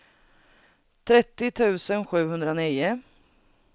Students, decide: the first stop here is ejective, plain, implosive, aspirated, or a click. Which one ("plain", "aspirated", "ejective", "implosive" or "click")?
aspirated